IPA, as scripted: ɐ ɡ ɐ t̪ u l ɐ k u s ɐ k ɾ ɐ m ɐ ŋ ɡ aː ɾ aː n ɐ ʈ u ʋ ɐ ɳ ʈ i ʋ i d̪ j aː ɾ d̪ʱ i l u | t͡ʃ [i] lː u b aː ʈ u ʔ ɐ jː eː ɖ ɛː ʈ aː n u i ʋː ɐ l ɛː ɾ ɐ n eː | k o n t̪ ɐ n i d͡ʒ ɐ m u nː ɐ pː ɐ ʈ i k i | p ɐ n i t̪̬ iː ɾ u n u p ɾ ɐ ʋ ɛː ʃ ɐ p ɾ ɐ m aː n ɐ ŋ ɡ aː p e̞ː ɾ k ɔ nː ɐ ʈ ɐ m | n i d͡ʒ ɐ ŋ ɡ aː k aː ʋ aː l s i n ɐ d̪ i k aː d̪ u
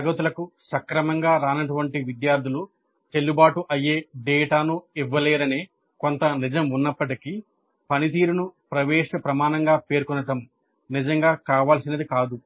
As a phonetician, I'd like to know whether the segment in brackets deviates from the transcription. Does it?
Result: yes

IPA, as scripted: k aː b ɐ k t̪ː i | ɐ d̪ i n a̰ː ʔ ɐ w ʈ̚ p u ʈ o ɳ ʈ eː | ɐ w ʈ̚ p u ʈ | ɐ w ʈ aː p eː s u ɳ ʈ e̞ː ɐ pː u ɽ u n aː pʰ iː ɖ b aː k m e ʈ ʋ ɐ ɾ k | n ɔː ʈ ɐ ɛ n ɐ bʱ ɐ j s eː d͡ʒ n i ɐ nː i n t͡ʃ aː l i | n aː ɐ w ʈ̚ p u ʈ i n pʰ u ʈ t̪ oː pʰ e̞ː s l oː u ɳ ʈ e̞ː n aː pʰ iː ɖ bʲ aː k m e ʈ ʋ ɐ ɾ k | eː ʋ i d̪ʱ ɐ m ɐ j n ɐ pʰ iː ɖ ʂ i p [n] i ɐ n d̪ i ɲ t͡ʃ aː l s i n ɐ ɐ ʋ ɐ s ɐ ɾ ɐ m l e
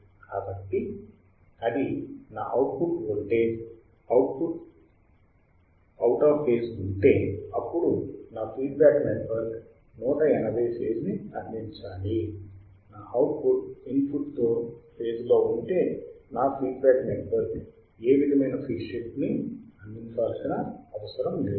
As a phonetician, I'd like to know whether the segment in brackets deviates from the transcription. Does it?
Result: no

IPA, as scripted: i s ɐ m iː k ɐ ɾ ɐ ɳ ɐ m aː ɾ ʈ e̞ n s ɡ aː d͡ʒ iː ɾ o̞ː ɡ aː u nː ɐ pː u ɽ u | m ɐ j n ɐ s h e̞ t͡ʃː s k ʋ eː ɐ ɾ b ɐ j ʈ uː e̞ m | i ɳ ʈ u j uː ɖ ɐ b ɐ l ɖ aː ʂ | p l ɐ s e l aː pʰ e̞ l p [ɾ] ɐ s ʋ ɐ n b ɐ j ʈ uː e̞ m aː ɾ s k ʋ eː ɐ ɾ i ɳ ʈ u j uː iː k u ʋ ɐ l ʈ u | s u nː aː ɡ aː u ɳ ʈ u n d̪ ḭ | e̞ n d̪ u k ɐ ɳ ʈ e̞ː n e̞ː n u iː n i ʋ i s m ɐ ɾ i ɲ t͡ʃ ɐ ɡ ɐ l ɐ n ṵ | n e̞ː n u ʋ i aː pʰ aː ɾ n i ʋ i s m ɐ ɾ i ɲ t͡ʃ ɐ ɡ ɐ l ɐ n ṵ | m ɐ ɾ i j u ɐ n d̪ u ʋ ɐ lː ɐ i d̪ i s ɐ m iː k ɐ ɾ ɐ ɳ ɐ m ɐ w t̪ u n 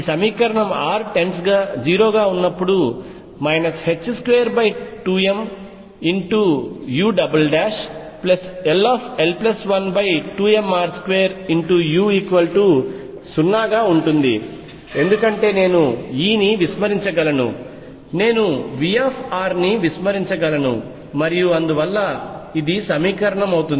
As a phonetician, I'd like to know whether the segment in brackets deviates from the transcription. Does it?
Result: yes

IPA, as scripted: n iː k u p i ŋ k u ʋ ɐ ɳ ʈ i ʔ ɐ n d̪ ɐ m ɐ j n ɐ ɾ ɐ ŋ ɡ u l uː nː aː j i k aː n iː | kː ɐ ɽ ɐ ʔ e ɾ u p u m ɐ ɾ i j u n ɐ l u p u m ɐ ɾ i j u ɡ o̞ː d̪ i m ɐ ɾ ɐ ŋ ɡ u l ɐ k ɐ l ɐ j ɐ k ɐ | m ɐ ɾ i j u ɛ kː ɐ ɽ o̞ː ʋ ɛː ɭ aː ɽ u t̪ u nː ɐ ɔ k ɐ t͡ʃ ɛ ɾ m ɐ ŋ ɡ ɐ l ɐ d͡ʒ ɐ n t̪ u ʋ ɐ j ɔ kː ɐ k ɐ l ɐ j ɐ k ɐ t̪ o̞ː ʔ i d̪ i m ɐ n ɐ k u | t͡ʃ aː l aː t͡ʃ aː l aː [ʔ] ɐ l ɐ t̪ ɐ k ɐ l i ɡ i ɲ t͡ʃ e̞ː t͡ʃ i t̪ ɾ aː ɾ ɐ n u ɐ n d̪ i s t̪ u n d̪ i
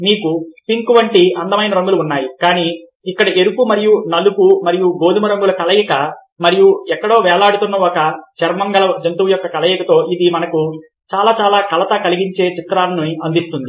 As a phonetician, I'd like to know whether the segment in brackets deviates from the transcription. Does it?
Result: yes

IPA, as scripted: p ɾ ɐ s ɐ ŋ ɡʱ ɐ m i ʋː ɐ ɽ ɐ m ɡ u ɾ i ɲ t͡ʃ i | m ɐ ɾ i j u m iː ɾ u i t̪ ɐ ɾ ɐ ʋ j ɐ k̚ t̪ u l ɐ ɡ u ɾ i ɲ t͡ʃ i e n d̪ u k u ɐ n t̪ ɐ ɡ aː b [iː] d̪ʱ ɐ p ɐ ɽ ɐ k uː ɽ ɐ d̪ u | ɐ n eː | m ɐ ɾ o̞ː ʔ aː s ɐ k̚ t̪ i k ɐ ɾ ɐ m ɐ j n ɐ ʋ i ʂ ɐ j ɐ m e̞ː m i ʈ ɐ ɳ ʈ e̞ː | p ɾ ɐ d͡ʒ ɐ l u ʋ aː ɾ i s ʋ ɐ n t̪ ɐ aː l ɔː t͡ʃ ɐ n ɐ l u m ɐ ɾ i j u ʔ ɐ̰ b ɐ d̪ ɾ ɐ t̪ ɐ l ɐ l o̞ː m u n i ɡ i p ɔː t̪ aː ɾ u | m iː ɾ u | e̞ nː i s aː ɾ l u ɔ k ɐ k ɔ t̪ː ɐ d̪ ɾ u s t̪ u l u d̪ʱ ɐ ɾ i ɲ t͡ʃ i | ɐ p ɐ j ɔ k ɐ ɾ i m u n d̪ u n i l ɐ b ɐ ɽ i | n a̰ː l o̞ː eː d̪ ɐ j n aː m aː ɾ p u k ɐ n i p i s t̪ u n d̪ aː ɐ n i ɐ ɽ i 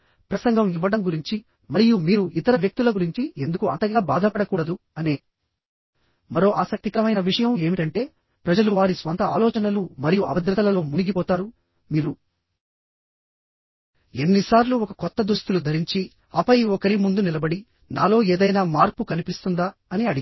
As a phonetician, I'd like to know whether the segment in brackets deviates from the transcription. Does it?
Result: yes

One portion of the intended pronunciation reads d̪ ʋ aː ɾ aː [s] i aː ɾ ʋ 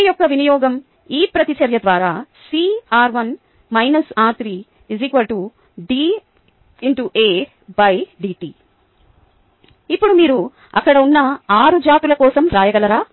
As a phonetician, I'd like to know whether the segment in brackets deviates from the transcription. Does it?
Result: no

